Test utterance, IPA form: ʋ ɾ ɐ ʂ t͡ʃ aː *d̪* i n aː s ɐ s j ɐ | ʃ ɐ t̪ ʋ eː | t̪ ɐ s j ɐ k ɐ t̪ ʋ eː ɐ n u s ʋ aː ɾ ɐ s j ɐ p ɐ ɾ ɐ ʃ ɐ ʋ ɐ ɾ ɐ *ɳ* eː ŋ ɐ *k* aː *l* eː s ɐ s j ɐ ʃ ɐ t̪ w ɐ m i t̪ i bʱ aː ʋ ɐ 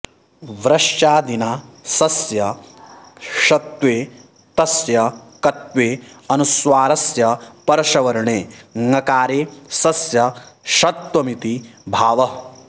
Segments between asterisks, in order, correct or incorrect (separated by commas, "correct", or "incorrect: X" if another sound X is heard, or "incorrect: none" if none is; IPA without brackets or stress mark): correct, correct, correct, incorrect: ɾ